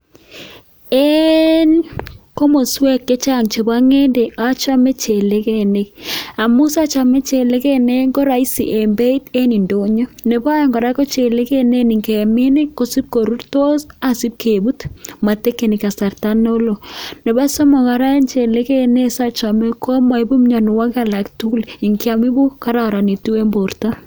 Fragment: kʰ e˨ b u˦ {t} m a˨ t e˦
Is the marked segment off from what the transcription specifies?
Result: no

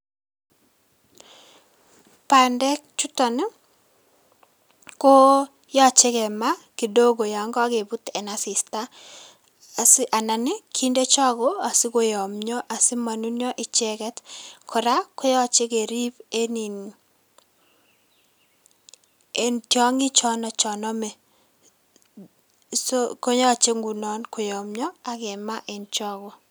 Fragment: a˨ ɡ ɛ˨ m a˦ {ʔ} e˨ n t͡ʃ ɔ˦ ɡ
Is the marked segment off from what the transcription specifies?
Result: no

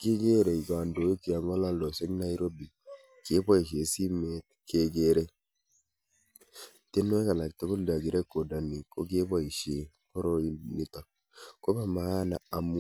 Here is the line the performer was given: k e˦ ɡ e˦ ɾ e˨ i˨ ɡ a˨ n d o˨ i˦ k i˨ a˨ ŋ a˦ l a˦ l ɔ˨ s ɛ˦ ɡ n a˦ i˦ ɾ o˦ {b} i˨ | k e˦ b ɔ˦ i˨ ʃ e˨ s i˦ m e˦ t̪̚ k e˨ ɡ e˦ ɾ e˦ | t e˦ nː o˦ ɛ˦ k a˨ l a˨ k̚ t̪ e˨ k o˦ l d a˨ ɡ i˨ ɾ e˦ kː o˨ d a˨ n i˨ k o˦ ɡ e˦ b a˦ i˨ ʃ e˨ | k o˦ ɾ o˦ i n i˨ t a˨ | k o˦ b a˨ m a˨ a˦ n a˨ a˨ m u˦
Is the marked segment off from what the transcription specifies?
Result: no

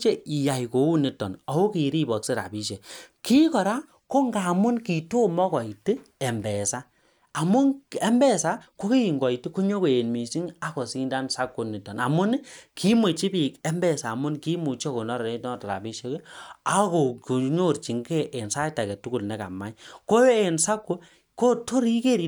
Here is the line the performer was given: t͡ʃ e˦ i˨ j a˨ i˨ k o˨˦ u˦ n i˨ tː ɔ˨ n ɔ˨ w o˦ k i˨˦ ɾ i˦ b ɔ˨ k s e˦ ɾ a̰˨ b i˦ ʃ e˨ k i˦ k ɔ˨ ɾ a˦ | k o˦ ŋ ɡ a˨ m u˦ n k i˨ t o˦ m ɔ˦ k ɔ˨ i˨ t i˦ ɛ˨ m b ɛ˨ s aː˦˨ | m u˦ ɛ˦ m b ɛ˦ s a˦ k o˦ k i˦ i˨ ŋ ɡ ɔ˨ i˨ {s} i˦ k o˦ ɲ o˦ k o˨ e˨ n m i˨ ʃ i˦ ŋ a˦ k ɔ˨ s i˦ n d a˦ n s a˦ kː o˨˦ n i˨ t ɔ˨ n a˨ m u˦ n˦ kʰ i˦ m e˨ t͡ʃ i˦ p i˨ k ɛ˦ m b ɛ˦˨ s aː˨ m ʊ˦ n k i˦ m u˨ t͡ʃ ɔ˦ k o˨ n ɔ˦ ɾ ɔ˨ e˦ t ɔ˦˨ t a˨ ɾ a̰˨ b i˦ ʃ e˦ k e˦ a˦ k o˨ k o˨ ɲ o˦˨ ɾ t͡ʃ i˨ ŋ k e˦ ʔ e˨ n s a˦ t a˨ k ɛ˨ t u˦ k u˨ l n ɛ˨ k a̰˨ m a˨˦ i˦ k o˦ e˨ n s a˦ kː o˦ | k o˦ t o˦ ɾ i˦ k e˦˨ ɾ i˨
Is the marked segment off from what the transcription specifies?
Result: yes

